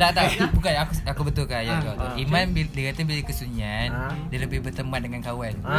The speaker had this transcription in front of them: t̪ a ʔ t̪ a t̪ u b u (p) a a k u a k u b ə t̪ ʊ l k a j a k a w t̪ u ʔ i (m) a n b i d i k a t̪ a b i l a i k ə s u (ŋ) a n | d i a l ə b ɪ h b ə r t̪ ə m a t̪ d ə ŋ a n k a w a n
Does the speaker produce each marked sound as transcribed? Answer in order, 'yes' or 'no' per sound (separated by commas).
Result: no, yes, no